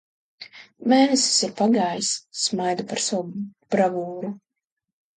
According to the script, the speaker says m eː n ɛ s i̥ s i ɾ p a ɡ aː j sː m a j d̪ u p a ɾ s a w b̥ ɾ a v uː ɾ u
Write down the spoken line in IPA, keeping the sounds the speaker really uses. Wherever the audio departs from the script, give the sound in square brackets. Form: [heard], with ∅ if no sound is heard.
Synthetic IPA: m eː n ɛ s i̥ s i ɾ p a ɡ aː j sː m a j d̪ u p a ɾ s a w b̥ ɾ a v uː ɾ u